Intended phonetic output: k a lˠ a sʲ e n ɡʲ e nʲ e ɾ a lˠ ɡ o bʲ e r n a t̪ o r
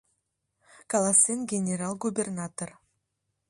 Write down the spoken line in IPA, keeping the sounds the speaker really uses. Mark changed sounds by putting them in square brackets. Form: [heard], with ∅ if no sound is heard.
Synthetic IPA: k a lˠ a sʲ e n ɡʲ e nʲ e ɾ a lˠ ɡ [u] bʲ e r n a t̪ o r